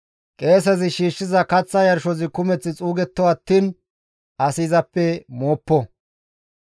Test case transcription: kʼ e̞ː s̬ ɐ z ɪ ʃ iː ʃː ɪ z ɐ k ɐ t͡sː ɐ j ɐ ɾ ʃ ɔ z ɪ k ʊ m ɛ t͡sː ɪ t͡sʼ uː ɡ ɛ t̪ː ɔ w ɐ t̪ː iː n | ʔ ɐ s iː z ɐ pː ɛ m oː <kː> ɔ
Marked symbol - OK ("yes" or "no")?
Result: no